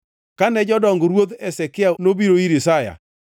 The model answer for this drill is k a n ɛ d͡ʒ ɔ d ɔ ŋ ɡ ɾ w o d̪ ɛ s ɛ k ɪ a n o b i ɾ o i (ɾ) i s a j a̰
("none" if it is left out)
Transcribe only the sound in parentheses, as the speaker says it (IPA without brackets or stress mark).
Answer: ɾ